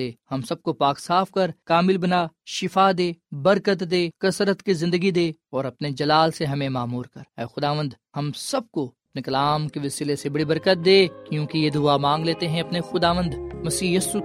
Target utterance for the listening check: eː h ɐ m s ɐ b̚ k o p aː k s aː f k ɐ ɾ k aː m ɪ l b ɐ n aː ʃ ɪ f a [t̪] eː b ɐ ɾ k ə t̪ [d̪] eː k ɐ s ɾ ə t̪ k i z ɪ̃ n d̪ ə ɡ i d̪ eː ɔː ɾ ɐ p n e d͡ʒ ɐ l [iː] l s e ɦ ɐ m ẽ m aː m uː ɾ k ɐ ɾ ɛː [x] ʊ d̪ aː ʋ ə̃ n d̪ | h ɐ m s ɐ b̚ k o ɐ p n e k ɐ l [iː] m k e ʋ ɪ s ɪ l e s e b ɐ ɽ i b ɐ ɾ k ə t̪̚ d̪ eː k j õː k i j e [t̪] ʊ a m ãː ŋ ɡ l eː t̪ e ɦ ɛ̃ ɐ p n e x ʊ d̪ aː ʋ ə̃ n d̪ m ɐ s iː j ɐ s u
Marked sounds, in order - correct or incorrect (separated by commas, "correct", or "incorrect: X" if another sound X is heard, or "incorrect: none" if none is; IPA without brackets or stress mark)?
incorrect: d̪, correct, incorrect: aː, correct, incorrect: aː, incorrect: d̪